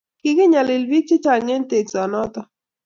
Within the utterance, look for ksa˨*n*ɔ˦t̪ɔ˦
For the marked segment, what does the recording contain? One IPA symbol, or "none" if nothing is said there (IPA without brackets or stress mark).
n